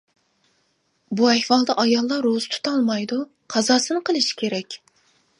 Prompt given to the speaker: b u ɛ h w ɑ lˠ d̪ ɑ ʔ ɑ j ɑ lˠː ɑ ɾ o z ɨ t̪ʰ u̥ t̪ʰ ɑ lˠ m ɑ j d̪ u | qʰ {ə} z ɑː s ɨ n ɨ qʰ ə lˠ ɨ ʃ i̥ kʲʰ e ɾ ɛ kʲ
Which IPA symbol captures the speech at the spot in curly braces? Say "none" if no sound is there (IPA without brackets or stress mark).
ɑ